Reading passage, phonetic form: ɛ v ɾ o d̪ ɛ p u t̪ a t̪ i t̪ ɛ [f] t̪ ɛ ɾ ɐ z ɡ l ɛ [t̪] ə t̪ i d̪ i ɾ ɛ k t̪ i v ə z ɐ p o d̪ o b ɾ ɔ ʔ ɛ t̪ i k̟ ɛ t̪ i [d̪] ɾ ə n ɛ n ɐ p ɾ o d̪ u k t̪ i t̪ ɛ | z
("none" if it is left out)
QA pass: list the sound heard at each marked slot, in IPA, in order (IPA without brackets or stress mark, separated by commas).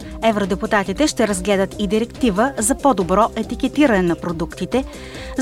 ʃ, d̪, none